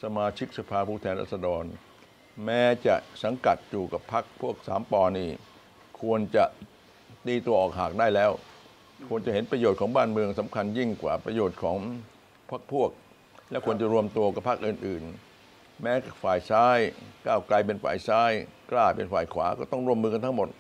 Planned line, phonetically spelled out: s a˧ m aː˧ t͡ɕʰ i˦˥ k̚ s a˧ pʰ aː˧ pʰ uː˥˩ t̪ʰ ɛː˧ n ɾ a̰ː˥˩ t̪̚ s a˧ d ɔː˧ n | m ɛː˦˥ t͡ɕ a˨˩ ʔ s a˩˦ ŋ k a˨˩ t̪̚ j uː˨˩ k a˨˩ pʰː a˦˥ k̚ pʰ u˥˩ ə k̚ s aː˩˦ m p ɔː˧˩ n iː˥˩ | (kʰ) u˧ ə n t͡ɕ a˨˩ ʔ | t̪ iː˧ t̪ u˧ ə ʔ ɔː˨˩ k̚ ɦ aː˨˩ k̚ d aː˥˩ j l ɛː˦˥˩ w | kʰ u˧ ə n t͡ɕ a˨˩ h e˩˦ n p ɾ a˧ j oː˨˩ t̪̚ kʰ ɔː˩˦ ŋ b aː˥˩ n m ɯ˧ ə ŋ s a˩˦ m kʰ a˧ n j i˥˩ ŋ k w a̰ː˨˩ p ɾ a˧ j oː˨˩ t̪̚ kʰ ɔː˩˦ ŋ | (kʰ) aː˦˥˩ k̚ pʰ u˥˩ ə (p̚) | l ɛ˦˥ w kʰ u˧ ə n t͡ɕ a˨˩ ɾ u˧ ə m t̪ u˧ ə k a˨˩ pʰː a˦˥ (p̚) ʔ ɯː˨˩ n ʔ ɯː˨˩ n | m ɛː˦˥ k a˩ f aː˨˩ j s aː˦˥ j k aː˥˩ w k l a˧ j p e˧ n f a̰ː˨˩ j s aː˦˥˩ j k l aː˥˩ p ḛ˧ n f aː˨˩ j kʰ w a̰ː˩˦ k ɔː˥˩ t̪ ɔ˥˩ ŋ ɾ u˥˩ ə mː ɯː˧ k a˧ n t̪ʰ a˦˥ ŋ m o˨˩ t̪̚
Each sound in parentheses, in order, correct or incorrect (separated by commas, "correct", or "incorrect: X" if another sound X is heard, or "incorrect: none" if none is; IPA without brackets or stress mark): correct, incorrect: pʰ, incorrect: k̚, incorrect: k̚